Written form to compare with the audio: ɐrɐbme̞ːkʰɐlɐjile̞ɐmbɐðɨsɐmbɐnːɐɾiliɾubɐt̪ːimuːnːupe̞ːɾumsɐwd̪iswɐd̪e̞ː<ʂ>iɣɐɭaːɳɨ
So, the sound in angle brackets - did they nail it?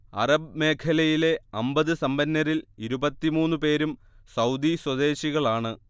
no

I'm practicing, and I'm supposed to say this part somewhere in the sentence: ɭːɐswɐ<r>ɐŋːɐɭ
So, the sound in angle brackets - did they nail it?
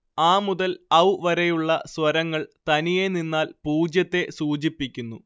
no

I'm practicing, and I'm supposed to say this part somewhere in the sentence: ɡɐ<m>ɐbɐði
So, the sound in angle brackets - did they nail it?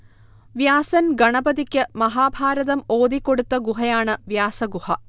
no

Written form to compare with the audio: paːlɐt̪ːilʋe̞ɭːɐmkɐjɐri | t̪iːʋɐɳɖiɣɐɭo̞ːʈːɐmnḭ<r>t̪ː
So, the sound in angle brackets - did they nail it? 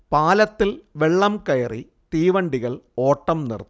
yes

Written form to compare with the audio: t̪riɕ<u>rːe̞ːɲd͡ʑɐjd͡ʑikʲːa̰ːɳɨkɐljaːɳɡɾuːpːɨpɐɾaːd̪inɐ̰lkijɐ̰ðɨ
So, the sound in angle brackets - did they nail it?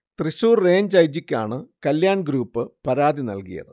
no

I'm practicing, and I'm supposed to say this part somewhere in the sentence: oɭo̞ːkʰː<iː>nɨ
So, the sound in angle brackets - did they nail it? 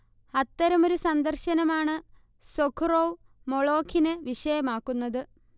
no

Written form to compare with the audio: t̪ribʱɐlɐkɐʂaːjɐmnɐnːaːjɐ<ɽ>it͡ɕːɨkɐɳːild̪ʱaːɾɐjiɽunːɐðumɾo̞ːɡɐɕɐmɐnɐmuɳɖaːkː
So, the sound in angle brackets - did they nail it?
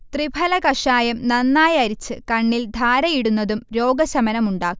no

